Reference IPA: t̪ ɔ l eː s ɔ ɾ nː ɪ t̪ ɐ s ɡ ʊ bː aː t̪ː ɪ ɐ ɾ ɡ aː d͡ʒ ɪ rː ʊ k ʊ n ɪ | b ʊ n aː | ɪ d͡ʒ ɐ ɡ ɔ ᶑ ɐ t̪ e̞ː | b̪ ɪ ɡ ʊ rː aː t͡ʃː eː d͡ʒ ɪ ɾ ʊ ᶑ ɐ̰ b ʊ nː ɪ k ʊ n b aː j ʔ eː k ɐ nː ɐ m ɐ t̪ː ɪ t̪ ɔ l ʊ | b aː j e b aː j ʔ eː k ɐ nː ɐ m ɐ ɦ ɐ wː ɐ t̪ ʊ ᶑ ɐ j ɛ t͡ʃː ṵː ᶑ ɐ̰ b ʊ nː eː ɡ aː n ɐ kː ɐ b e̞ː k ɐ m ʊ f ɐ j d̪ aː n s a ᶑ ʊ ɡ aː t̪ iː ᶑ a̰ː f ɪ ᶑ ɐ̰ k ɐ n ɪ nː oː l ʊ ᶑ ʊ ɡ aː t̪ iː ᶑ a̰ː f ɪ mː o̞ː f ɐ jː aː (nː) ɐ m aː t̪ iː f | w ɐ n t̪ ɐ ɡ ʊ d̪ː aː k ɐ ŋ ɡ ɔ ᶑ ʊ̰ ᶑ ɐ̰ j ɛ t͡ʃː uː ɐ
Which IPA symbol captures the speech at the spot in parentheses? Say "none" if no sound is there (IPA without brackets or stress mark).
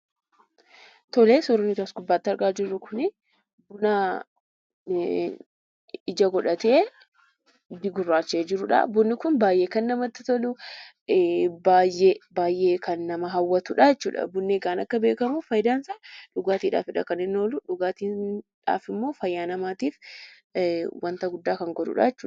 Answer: n